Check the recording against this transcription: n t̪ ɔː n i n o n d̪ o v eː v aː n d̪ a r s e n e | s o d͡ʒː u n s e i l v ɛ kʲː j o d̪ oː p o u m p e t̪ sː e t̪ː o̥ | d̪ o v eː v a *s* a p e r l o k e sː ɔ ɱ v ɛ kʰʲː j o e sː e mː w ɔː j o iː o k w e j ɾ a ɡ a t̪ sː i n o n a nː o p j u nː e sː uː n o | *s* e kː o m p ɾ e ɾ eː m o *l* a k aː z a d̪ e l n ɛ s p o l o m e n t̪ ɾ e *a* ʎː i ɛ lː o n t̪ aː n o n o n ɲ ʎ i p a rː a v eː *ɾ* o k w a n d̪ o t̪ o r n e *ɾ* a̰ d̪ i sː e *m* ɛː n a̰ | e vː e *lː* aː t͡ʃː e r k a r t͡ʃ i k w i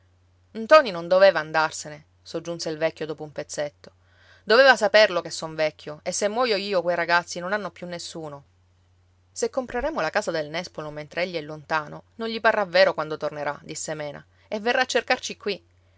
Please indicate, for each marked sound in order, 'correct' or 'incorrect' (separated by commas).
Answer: correct, correct, correct, incorrect, correct, correct, correct, incorrect